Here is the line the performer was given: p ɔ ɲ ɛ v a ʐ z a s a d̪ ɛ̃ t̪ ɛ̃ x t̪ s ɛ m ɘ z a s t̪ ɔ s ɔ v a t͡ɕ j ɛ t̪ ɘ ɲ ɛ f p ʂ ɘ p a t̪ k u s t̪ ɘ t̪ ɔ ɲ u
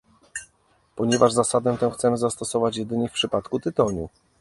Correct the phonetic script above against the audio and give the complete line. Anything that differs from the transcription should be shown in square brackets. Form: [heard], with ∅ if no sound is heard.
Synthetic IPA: p ɔ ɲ ɛ v a ʐ z a s a d̪ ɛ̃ t̪ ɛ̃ x t̪ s ɛ m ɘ z a s t̪ ɔ s ɔ v a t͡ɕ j ɛ [d̪] ɘ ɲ ɛ f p ʂ ɘ p a t̪ k u [∅] t̪ ɘ t̪ ɔ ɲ u